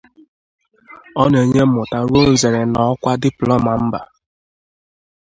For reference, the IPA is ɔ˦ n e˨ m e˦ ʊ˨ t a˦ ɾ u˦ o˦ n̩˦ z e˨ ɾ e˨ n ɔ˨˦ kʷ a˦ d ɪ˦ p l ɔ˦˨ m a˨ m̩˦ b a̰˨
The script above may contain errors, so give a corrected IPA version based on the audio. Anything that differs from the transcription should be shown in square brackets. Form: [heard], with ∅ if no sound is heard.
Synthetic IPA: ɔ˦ n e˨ [ɲ] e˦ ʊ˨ t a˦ ɾ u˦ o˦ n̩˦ z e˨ ɾ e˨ n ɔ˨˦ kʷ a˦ d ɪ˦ p l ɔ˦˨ m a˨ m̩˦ b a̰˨

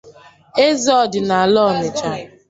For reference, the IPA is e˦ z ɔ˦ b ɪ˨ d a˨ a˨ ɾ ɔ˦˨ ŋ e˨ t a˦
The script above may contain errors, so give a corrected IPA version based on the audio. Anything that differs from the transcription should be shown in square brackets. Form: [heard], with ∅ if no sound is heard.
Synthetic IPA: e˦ z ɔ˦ [d] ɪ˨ [n] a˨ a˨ [l] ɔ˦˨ [n] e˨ [t͡ʃ] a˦

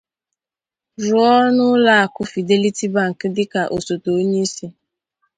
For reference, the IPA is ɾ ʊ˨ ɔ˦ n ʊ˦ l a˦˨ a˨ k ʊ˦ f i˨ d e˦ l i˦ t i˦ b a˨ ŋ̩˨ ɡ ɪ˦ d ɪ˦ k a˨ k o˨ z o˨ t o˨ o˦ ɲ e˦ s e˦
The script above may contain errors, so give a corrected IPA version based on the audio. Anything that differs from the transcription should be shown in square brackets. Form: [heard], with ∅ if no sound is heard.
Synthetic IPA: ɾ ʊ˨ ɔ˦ n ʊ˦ l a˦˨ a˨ k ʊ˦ f i˨ d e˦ l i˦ t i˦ b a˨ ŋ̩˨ [k] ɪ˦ d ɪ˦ k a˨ [ʔ] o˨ [s] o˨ t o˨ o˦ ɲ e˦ s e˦

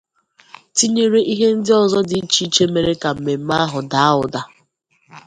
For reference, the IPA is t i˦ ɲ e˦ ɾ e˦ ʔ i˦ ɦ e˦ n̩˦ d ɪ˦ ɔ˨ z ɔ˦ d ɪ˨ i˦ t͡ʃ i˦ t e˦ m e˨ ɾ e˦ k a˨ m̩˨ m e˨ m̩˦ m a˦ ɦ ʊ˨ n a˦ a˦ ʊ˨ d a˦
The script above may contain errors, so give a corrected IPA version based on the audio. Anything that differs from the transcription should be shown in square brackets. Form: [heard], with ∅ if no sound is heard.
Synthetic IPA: t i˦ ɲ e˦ ɾ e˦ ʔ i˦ ɦ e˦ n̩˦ d ɪ˦ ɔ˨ z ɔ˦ d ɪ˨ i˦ t͡ʃ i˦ [t͡ʃ] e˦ m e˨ ɾ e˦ k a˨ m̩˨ m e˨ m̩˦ m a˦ ɦ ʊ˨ [d] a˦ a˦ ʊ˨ d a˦

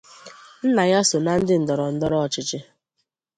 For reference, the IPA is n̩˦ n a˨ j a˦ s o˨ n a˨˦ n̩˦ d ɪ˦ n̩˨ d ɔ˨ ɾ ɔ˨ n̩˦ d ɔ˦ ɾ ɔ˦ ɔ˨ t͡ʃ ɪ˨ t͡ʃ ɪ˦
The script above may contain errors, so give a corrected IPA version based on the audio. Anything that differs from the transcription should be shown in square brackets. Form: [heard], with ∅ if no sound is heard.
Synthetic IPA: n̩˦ n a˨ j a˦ s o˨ n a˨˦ n̩˦ d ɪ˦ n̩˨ d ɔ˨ ɾ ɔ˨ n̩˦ d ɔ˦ ɾ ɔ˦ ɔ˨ t͡ʃ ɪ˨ t͡ʃ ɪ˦

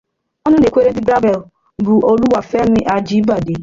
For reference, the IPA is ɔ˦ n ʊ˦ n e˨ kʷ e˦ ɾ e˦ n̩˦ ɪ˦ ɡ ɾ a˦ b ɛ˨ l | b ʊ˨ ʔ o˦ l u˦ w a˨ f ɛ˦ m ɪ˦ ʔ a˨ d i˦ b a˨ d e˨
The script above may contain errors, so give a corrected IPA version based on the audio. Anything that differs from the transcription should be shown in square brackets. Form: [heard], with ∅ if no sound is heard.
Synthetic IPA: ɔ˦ n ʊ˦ n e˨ kʷ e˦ ɾ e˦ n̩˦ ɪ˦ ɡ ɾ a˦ b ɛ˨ l | b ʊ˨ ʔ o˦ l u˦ w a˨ f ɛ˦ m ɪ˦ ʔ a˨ [d͡ʒ] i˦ b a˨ d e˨

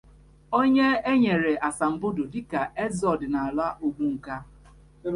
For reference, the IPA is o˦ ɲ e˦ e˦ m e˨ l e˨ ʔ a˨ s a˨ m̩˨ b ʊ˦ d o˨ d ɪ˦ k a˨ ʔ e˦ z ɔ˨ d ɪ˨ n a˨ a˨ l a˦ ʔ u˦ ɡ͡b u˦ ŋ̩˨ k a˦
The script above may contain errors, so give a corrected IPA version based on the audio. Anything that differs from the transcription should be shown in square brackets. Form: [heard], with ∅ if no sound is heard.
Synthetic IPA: o˦ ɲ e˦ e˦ [ɲ] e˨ [ɾ] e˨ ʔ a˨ s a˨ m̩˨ b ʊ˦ d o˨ d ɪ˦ k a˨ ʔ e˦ z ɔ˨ d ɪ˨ n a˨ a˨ l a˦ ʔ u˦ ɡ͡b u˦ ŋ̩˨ k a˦

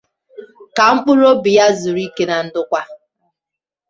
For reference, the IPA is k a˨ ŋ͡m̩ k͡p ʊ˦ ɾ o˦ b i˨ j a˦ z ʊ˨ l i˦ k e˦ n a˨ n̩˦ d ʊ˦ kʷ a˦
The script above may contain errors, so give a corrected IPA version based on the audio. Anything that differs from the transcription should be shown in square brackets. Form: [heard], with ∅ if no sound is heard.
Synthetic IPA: k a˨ ŋ͡m̩ k͡p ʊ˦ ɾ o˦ b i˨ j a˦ z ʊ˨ [ɾ] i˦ k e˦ n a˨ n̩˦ d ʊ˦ kʷ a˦

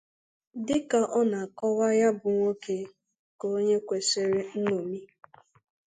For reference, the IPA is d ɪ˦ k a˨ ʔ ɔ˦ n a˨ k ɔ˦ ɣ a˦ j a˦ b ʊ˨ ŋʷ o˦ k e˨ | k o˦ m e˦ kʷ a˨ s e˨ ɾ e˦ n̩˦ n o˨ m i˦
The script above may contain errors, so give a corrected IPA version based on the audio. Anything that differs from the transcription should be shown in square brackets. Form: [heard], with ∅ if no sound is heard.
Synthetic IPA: d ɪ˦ k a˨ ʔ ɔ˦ n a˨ k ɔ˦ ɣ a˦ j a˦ b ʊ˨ ŋʷ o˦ k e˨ | k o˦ [ɲ] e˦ kʷ [e˨] s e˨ ɾ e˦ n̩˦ n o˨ m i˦

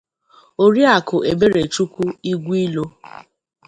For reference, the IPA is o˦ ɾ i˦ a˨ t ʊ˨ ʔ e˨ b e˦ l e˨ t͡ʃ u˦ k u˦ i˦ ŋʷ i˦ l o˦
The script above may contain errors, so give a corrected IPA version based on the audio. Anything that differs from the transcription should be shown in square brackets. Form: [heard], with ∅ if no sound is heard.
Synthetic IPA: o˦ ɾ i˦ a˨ [k] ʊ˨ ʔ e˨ b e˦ [ɾ] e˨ t͡ʃ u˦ k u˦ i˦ [ɡʷ] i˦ l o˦

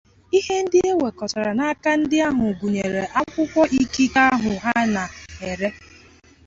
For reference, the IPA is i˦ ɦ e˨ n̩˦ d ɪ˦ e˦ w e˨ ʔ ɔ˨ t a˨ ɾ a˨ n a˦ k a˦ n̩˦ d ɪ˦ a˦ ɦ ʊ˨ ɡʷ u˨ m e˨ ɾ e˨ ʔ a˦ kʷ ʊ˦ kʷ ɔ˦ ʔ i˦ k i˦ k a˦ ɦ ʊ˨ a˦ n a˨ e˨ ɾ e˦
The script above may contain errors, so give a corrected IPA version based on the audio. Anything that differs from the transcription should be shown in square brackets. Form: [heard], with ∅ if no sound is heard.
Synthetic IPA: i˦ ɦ [e˦] n̩˦ d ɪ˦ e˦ w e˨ [k] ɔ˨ t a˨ ɾ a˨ n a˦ k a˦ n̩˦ d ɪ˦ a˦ ɦ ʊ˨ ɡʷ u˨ [ɲ] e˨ ɾ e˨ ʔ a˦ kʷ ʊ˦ kʷ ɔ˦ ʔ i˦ k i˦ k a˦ ɦ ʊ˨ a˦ n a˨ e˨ ɾ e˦

